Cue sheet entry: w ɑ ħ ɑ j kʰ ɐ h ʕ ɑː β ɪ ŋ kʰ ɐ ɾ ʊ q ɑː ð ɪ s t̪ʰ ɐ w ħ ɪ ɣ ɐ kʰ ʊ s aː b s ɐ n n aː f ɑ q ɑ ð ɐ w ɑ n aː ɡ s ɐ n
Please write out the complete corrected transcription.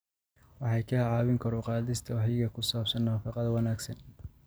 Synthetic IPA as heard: w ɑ ħ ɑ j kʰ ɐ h ʕ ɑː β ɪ ŋ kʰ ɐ ɾ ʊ q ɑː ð ɪ s t̪ʰ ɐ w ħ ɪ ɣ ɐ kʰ ʊ s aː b s ɐ n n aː f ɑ q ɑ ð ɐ w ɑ n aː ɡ s ɐ n